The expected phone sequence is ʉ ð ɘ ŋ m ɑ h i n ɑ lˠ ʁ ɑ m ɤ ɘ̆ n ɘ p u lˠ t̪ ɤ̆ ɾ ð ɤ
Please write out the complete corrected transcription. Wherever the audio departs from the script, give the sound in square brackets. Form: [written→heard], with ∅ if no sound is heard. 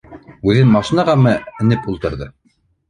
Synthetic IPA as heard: ʉ ð ɘ [ŋ→n] m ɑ [h→ʃ] i n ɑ [lˠ→∅] ʁ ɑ m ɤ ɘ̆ n ɘ p u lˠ t̪ ɤ̆ ɾ ð ɤ